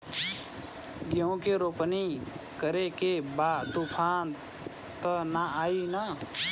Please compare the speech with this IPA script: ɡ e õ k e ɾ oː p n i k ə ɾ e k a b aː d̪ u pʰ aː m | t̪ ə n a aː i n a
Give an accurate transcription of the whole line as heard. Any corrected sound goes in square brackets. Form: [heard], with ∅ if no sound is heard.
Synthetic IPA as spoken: ɡ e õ k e ɾ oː p n i k ə ɾ e k [e] b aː [t̪] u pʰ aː [n] | t̪ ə n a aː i n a